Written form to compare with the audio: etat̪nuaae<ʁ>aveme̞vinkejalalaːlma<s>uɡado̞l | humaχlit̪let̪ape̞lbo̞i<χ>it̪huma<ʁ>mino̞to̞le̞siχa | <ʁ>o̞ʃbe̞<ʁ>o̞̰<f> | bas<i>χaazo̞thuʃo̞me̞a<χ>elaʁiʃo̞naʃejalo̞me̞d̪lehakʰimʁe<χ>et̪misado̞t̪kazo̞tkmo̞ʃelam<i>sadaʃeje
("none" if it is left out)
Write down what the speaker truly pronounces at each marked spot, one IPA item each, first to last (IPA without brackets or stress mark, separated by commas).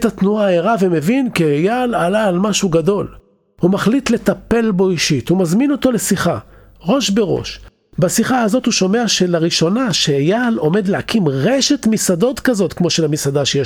ʁ, ʃ, ʃ, z, ʁ, ʁ, ʃ, i, ʃ, ʃ, i